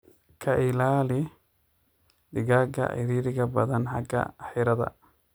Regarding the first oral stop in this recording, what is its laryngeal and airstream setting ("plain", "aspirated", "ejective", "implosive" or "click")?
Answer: aspirated